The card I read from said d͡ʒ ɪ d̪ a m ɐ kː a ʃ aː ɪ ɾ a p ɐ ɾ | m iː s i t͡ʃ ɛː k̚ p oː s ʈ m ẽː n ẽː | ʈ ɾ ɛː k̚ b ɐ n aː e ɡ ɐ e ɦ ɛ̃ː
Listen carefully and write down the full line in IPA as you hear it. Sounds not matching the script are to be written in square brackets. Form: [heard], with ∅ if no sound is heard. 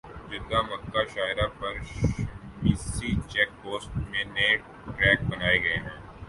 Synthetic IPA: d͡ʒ ɪ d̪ a m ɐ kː a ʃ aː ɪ ɾ a p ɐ ɾ | m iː s i t͡ʃ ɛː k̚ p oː s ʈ m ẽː n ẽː | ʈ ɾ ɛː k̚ b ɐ n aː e ɡ ɐ e ɦ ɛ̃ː